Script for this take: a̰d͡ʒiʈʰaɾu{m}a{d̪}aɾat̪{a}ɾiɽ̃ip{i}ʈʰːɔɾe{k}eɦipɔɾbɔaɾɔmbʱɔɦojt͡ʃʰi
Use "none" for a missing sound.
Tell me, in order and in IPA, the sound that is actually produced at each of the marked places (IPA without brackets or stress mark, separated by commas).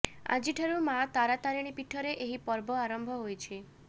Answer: m, t̪, a, i, ʔ